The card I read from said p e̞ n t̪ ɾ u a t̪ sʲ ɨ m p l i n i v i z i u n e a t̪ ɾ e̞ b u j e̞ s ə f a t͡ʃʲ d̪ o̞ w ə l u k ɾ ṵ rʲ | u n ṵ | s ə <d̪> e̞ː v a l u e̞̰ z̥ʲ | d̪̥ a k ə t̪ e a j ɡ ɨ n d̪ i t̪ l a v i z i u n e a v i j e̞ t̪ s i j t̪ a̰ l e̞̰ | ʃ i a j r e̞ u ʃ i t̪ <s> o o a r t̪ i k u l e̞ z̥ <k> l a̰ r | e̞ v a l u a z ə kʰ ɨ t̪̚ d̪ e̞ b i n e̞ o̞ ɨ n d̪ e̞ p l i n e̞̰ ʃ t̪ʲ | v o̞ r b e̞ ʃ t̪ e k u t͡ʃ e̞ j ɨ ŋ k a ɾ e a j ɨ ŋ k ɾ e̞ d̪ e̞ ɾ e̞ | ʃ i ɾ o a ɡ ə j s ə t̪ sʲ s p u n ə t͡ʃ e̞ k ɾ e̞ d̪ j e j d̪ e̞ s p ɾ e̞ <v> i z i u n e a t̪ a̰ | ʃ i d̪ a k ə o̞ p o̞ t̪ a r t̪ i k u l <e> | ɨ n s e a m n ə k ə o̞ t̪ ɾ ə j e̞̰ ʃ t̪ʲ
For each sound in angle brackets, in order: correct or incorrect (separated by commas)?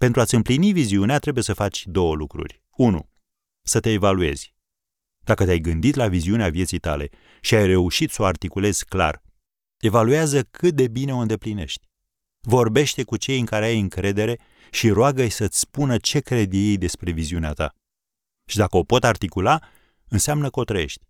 incorrect, correct, correct, correct, incorrect